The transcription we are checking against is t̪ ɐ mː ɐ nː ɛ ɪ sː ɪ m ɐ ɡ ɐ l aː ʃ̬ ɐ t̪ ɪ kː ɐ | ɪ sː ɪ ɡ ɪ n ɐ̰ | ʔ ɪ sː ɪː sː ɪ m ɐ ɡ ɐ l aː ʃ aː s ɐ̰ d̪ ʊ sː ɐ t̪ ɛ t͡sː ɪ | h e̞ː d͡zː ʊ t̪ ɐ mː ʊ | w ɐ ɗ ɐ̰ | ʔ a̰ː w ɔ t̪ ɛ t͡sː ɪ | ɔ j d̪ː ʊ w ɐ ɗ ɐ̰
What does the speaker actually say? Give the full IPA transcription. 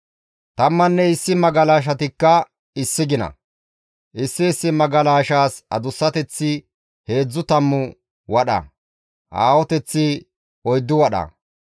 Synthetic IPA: t̪ ɐ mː ɐ nː ɛ ɪ sː ɪ m ɐ ɡ ɐ l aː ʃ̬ ɐ t̪ ɪ kː ɐ | ɪ sː ɪ ɡ ɪ n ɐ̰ | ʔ ɪ sː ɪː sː ɪ m ɐ ɡ ɐ l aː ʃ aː s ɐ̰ d̪ ʊ sː ɐ t̪ ɛ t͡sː ɪ | h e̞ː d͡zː ʊ t̪ ɐ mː ʊ | w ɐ ɗ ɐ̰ | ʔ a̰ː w ɔ t̪ ɛ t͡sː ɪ | ɔ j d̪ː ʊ w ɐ ɗ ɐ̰